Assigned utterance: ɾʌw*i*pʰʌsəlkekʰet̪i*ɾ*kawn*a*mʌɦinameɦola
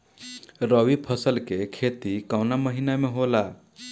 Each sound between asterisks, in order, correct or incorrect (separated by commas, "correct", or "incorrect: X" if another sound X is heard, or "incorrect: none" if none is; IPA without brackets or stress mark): correct, incorrect: none, correct